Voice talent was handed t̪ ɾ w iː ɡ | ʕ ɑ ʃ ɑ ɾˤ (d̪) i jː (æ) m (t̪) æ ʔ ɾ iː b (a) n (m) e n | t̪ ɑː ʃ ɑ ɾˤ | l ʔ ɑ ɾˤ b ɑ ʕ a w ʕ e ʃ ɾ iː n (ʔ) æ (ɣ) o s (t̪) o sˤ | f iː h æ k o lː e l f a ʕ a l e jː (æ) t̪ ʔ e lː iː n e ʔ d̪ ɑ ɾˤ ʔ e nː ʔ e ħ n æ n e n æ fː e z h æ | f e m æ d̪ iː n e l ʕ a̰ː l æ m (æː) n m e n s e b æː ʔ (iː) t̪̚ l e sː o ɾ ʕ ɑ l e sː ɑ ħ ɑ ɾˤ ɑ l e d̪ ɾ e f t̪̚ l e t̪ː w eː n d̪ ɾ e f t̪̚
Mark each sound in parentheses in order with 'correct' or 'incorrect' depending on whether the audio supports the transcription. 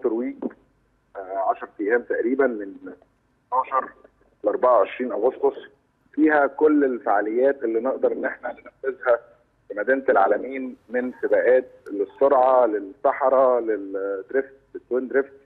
incorrect: t̪, incorrect: æː, correct, incorrect: æ, correct, correct, correct, correct, incorrect: æː, incorrect: iː, incorrect: æː

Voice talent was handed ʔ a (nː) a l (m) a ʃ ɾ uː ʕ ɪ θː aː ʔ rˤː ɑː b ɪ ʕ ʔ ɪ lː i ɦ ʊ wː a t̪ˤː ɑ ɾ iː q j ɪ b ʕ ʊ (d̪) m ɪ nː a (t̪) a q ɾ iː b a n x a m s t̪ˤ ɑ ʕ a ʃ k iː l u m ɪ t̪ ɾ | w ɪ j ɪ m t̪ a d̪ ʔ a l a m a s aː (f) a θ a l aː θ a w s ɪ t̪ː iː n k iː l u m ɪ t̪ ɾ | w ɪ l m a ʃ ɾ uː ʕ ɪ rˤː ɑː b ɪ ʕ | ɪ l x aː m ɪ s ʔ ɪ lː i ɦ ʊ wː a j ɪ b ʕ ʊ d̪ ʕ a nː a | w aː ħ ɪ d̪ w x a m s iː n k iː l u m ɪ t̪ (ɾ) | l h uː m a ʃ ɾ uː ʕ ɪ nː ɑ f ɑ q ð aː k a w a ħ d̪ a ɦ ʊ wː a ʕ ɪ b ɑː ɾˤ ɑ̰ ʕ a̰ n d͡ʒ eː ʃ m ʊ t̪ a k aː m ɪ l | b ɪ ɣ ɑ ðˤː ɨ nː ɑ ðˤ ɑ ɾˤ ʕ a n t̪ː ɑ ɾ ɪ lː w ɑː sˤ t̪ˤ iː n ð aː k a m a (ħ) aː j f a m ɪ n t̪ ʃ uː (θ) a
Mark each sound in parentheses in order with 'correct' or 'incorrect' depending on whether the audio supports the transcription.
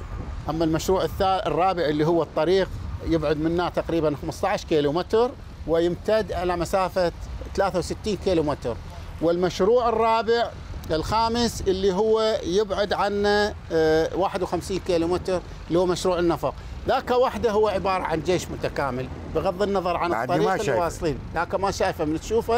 incorrect: mː, correct, correct, correct, correct, correct, incorrect: ʃ, incorrect: f

